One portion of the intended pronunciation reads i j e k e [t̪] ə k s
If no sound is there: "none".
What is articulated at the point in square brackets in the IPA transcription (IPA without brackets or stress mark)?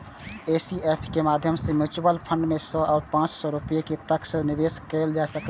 t̪